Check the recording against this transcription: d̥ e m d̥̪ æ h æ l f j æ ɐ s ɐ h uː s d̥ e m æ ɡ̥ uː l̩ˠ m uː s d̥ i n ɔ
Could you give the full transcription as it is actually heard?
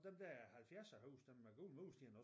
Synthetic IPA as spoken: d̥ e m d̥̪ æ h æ l f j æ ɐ s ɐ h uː s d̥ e m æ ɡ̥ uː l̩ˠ m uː s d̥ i n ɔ